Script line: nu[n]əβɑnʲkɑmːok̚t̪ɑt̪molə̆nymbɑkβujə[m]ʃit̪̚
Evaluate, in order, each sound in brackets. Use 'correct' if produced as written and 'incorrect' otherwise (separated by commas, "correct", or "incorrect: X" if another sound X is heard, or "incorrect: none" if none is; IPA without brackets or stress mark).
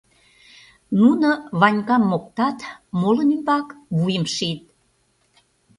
correct, correct